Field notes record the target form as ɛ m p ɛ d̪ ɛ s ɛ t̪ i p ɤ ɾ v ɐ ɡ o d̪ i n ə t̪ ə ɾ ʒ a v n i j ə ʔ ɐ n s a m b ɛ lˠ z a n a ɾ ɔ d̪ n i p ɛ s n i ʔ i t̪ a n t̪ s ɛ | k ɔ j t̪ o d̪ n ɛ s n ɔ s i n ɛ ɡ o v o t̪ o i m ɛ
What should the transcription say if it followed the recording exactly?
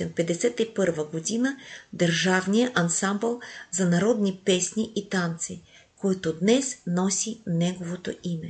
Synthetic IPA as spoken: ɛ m p ɛ d̪ ɛ s ɛ t̪ i p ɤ ɾ v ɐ ɡ o d̪ i n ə d̪ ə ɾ ʒ a v n i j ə ʔ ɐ n s a m b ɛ lˠ z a n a ɾ ɔ d̪ n i p ɛ s n i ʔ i t̪ a n t̪ s i | k ɔ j t̪ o d̪ n ɛ s n ɔ s i n ɛ ɡ o v o t̪ o i m ɛ